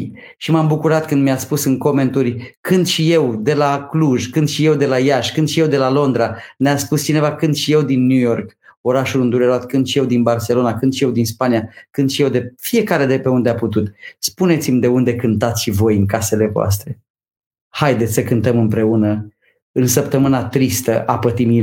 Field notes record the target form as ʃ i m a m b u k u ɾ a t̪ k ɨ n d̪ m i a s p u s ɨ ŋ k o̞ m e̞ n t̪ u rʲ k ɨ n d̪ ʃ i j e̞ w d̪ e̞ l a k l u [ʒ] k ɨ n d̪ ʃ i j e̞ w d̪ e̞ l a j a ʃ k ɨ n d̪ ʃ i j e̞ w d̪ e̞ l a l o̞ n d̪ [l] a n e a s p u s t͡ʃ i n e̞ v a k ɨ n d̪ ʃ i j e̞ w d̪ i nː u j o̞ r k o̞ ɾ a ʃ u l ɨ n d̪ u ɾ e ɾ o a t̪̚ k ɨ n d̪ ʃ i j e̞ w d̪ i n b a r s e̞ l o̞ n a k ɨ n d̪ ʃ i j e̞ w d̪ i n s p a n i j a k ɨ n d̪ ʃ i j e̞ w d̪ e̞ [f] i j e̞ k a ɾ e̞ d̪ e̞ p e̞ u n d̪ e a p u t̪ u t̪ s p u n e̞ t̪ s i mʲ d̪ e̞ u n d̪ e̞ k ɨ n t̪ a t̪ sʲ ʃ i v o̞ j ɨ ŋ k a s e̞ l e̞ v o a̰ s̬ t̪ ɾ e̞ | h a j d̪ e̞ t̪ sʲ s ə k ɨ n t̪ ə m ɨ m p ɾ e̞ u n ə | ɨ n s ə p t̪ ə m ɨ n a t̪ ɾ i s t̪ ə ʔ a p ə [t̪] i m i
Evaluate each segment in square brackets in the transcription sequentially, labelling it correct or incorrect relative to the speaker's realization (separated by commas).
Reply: correct, incorrect, correct, correct